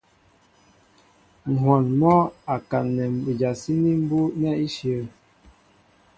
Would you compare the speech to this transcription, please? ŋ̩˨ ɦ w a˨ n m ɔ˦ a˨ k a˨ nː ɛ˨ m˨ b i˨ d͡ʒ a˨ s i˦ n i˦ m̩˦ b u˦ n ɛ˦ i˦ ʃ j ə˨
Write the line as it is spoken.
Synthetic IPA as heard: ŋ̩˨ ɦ w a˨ n m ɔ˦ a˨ k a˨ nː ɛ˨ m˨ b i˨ d͡ʒ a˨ s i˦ n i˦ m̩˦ b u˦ n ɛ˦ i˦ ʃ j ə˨